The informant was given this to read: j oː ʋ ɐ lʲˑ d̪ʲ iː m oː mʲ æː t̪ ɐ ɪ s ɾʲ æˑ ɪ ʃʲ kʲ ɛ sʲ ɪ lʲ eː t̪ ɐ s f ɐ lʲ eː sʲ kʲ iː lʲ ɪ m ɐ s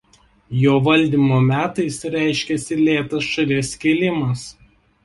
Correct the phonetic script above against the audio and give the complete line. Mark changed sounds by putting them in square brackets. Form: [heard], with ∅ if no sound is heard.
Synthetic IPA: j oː ʋ ɐ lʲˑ d̪ʲ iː m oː mʲ æː t̪ ɐ ɪ s ɾʲ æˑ ɪ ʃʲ kʲ ɛ sʲ ɪ lʲ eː t̪ ɐ s [ʃ] ɐ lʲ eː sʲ kʲ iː lʲ ɪ m ɐ s